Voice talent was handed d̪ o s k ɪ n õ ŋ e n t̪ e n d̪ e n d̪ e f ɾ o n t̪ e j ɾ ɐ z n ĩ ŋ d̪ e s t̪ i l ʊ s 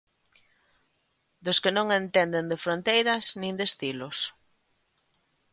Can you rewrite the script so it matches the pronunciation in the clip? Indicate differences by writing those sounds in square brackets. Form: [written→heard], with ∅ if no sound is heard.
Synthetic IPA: d̪ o s k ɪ n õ ŋ e n t̪ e n d̪ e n d̪ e f ɾ o n t̪ e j ɾ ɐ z n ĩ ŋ d̪ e s t̪ i l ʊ s